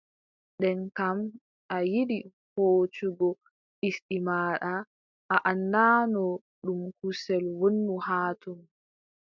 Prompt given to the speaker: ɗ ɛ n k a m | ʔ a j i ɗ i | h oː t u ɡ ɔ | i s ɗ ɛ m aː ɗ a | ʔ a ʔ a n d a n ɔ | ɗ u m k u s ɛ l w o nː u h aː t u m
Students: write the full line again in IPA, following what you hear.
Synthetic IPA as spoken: ɗ ɛ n k a m | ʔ a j i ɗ i | h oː t͡ʃ u ɡ ɔ | i s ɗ i m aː ɗ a | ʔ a ʔ a n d a n ɔ | ɗ u m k u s ɛ l w o nː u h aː t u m